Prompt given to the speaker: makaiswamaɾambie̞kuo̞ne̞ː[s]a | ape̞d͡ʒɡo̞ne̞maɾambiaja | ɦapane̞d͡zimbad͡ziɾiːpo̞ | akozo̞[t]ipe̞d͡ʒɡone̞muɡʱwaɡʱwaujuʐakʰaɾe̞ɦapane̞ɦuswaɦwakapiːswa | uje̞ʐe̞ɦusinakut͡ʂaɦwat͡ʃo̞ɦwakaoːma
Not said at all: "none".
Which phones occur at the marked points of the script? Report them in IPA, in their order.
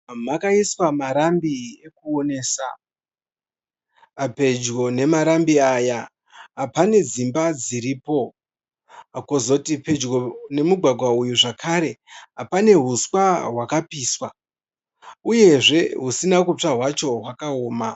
s, t

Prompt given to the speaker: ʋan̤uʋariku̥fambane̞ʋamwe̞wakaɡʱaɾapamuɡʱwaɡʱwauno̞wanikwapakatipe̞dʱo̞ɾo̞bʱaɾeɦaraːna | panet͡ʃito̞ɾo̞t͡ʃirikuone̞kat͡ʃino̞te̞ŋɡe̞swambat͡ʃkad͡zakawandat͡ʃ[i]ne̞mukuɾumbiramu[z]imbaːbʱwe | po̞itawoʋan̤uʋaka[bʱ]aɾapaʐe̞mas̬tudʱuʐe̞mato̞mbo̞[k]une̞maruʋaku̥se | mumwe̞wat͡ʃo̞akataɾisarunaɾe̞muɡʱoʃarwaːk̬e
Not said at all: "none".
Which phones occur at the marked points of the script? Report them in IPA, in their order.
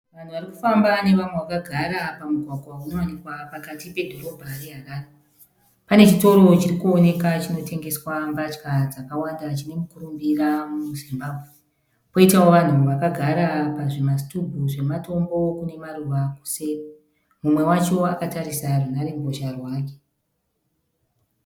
i, z, ɡʱ, k

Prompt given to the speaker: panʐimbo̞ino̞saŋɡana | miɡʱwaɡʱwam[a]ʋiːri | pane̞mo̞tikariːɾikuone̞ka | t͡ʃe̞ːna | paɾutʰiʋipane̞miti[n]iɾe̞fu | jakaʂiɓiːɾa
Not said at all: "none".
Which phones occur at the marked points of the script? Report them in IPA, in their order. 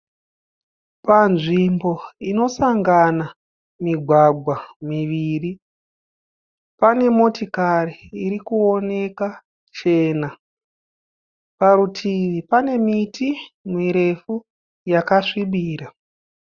i, m

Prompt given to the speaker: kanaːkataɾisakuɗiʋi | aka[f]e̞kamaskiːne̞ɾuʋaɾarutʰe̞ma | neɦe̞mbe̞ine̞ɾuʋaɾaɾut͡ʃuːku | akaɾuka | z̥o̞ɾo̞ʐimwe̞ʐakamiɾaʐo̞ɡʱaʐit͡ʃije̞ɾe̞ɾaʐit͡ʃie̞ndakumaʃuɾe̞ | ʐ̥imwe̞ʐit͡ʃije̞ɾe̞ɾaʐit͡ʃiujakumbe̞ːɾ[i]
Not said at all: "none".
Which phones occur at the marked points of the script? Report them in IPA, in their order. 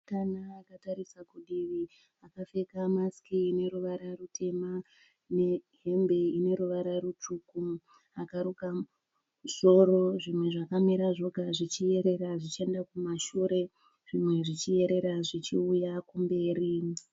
f, i

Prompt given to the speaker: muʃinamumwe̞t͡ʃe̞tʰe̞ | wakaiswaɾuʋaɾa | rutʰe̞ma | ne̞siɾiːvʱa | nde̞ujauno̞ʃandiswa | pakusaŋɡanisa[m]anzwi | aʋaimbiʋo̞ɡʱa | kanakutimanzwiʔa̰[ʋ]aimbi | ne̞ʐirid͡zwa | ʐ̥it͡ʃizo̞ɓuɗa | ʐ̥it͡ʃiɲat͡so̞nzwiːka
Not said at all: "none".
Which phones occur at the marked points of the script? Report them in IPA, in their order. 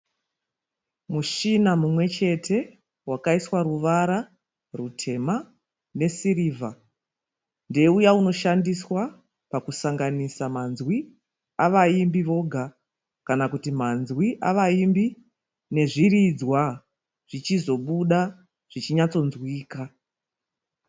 m, ʋ

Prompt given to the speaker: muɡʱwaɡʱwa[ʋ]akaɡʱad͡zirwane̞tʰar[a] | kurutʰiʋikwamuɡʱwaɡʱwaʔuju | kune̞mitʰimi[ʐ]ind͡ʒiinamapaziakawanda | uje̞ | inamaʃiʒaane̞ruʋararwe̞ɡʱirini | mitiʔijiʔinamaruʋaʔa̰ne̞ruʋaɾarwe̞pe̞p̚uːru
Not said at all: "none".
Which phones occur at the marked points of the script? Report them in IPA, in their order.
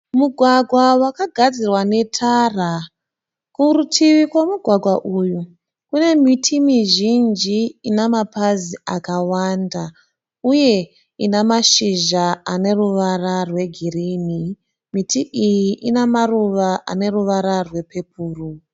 w, a, ʒ

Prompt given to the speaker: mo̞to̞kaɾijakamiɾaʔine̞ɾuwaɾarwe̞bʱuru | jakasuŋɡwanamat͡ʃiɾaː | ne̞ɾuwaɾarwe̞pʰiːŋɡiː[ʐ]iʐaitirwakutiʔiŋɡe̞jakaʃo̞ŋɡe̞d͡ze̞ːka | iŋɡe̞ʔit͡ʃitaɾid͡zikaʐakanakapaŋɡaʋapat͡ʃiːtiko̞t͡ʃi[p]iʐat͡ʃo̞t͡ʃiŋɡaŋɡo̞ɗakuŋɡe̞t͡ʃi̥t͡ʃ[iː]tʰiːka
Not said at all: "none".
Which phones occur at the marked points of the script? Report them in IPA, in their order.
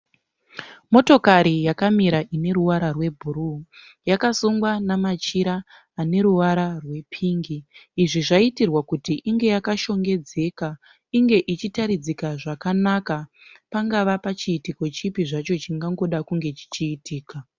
ʐ, p, iː

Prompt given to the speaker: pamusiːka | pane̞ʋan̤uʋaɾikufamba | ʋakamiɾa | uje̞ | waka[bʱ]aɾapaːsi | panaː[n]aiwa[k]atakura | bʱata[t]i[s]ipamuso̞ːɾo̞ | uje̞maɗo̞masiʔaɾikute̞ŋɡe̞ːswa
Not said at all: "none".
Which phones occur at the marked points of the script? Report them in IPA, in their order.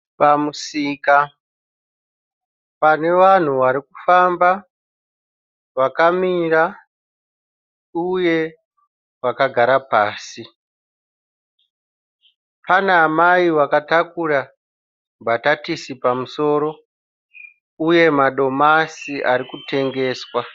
ɡʱ, m, k, t, s

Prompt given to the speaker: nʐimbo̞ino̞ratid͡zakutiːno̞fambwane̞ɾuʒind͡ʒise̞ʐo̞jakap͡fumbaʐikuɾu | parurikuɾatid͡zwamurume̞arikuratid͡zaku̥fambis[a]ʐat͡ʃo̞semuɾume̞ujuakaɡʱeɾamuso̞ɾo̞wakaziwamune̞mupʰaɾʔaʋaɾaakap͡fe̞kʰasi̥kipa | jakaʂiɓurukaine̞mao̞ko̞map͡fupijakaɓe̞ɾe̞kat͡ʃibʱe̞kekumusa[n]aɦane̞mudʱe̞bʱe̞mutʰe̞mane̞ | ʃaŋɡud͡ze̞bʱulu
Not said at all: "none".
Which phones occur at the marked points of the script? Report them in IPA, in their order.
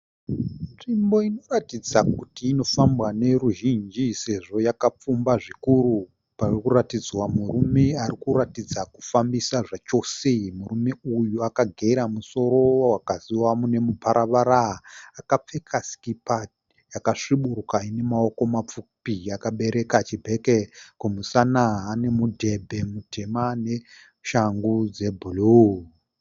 a, n

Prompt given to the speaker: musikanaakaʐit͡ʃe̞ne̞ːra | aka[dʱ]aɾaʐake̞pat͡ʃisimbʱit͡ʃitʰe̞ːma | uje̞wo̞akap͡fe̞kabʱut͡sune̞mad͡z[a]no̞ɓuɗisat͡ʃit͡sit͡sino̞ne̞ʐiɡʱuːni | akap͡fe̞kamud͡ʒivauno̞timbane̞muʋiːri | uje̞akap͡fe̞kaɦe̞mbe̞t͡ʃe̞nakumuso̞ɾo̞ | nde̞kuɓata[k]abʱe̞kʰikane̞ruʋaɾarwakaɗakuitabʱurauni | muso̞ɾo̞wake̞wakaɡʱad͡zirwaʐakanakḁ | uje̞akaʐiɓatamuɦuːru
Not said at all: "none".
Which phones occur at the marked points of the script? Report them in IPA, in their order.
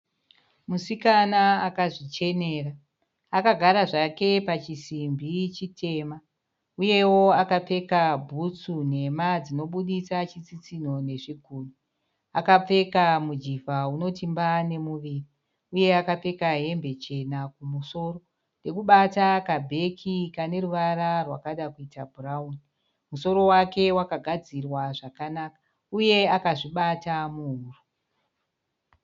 ɡʱ, i, k

